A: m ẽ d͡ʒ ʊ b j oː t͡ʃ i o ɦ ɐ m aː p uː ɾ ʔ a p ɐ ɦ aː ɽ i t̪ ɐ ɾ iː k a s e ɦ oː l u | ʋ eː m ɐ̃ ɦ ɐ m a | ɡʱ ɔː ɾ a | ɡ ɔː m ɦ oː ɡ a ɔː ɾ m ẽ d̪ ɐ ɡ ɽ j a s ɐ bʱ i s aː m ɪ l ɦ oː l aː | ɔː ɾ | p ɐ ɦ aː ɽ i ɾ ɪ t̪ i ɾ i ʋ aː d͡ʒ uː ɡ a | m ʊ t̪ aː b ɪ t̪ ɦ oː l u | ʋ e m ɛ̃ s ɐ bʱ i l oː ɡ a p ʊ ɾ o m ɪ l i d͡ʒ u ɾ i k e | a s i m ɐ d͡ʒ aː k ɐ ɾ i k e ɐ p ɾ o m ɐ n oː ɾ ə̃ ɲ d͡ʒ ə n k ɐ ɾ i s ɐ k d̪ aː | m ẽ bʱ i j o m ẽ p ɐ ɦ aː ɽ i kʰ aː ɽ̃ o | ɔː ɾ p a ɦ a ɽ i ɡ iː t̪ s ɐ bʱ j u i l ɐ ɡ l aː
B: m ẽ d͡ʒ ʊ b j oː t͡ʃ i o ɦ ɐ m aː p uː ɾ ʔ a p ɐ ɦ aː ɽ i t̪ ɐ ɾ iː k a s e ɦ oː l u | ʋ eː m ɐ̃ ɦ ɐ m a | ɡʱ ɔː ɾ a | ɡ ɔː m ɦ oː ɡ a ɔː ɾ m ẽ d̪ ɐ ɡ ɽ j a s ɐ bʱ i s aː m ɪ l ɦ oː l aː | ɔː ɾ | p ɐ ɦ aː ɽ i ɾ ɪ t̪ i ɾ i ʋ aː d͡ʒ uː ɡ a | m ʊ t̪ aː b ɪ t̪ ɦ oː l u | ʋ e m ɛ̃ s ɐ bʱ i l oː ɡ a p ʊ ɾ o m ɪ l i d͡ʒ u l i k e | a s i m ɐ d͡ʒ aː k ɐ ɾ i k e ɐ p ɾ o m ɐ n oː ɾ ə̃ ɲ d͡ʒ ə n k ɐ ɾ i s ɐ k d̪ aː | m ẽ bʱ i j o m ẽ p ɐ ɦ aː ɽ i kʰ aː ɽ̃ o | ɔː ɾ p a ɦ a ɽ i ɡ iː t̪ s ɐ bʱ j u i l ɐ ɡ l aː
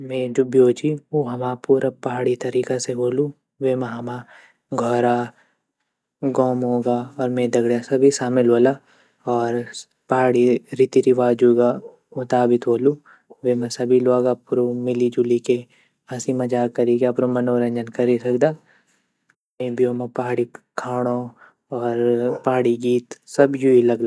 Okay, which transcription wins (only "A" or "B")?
B